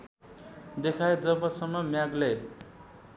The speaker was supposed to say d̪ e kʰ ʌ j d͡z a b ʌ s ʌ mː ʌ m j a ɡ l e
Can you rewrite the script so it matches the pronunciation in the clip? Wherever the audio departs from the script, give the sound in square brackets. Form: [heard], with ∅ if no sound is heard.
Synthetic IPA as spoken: d̪ e kʰ [a] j d͡z [ʌ] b ʌ s ʌ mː ʌ m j a ɡ l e